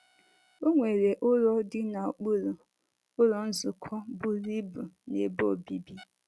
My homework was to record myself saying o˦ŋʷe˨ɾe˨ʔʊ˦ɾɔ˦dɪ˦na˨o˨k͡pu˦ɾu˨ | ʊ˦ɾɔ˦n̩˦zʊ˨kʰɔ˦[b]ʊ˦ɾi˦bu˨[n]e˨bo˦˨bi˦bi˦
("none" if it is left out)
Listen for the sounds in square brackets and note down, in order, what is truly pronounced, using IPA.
b, n

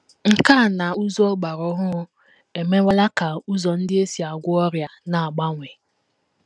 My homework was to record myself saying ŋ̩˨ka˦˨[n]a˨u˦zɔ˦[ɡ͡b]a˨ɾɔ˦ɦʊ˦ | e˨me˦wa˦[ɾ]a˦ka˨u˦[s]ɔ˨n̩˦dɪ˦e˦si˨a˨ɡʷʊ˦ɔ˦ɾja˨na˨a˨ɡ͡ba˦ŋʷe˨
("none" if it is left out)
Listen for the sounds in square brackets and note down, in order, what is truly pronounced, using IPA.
n, ɡ͡b, l, z

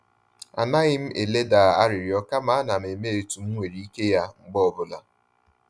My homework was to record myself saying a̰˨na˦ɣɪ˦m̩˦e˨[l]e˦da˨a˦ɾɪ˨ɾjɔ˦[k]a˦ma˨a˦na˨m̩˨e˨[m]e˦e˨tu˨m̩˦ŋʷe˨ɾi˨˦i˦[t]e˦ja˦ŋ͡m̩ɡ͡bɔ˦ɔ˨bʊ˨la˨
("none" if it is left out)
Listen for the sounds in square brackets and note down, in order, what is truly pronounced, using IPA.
l, k, m, k

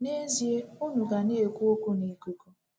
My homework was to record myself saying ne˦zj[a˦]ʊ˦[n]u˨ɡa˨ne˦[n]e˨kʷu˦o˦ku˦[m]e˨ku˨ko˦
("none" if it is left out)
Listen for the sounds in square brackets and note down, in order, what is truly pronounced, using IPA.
e˦, n, none, n

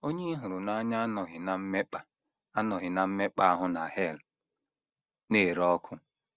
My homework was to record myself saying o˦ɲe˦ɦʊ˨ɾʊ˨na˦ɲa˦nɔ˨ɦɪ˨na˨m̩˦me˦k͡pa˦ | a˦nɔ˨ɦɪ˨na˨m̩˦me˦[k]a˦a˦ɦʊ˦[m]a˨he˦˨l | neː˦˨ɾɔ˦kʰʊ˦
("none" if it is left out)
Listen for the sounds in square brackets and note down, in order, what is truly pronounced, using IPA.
k͡p, n

